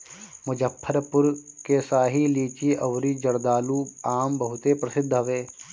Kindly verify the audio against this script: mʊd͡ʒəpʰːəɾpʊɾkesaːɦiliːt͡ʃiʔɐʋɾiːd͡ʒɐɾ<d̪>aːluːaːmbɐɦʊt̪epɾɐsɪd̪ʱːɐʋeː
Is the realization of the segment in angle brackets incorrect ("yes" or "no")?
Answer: no